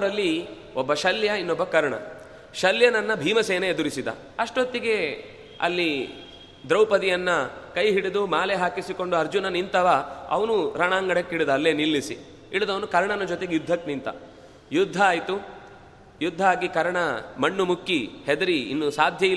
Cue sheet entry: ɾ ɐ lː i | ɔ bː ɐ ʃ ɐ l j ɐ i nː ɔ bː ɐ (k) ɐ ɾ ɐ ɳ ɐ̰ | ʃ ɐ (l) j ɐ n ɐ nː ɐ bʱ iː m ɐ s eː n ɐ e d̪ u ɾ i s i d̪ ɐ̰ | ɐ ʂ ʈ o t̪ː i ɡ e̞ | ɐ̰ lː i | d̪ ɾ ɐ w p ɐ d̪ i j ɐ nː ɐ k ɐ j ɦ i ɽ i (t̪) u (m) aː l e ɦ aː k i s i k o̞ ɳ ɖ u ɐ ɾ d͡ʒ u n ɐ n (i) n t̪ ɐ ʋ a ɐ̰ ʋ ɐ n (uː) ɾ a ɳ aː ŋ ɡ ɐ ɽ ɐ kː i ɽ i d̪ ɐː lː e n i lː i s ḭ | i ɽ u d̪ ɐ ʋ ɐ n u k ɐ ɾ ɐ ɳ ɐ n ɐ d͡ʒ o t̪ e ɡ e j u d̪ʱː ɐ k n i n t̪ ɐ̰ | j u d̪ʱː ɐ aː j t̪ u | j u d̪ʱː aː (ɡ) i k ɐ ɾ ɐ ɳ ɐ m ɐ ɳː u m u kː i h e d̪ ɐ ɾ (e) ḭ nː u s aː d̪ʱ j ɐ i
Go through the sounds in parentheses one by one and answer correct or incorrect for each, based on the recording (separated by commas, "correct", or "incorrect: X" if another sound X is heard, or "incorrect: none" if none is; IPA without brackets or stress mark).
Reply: correct, correct, incorrect: d̪, correct, correct, incorrect: u, correct, incorrect: i